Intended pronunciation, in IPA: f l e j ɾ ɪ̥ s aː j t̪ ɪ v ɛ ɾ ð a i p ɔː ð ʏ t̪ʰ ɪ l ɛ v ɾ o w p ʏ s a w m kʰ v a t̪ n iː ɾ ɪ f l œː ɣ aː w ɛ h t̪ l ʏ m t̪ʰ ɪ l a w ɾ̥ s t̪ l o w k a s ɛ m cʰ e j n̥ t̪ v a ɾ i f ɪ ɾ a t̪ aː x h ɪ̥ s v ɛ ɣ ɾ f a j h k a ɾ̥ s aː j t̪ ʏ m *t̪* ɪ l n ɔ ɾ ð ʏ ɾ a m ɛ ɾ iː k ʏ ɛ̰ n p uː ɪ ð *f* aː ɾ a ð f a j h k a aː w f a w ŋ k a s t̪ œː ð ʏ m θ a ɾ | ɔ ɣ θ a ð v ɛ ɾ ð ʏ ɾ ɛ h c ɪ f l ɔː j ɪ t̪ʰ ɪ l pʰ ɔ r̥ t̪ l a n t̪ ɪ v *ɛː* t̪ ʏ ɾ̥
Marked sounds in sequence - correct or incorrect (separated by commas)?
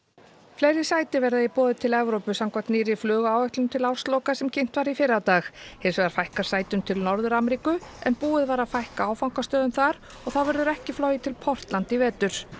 incorrect, incorrect, correct